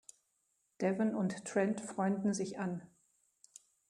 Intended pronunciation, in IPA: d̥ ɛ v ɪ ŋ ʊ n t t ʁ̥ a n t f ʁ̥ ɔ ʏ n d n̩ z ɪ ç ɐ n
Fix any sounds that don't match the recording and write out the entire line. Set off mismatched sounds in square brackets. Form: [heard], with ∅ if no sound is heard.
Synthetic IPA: d̥ ɛ v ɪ [n] ʊ n t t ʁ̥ [ɛ] n t f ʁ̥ ɔ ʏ n d n̩ z ɪ ç [a] n